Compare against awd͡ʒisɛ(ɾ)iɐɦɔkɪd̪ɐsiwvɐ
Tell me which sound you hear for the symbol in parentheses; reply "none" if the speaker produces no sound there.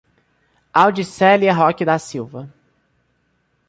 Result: l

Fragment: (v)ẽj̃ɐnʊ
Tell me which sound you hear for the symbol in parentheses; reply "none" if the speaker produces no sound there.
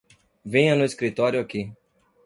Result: v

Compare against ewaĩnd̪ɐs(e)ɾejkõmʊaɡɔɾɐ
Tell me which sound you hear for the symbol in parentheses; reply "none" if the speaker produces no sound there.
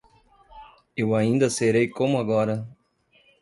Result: e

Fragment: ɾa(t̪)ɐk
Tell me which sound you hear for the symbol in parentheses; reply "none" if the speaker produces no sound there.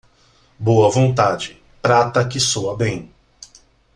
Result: t̪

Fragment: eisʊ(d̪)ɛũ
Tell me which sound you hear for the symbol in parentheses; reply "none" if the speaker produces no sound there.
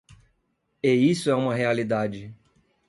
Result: none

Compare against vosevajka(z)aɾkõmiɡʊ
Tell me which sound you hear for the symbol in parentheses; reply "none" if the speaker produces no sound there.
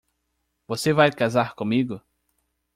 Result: z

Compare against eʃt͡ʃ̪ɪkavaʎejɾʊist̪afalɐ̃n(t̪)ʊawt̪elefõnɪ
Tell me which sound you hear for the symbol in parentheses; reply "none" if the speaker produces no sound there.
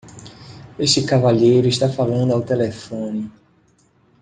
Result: d̪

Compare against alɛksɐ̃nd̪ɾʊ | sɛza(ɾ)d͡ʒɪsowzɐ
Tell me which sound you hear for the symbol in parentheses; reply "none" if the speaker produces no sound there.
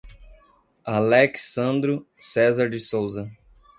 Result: ɾ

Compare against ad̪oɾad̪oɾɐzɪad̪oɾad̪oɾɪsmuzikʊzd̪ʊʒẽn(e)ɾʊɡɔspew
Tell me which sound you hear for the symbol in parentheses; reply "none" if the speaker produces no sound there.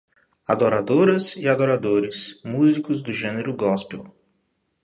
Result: e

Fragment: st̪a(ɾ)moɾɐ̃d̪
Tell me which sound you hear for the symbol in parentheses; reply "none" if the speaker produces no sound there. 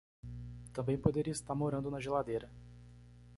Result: ɾ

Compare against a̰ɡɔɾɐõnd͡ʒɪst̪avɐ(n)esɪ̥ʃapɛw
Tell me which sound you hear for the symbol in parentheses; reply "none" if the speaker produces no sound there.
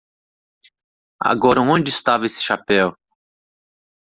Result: none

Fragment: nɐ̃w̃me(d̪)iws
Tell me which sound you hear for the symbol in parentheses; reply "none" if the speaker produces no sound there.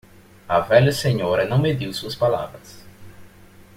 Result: d̪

